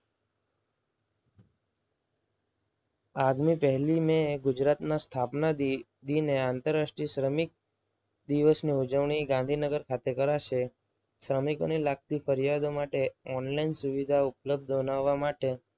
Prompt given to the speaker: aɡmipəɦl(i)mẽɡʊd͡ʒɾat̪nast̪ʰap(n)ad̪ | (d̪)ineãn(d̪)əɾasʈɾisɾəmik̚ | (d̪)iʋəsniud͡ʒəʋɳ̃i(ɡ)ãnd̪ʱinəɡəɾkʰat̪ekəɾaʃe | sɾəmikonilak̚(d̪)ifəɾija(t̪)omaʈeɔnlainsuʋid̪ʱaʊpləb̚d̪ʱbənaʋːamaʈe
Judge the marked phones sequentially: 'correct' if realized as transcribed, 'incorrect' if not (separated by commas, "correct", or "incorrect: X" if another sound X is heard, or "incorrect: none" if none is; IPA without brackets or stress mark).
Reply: correct, correct, correct, incorrect: t̪, correct, correct, incorrect: t̪, incorrect: d̪